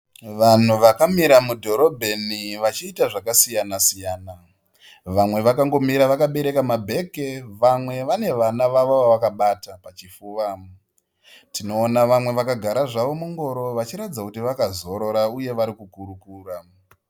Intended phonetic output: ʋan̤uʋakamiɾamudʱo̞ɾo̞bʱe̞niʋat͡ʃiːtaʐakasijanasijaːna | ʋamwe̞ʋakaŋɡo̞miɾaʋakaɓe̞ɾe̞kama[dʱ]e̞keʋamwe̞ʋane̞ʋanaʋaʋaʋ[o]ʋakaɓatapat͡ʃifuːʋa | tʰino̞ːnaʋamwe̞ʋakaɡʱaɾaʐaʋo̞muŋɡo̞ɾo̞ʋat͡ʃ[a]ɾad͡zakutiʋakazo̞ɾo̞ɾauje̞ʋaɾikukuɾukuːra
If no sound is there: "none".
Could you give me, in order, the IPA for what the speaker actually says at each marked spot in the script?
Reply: bʱ, o, i

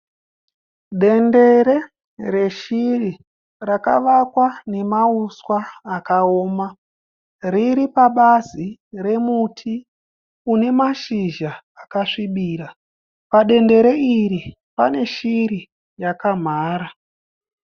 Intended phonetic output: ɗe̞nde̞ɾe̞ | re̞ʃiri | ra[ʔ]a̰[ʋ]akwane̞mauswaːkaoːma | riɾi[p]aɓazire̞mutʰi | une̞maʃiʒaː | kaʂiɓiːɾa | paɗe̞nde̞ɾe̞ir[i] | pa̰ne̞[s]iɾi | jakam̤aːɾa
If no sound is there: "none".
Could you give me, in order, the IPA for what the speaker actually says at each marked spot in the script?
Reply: k, ʋ, p, i, ʃ

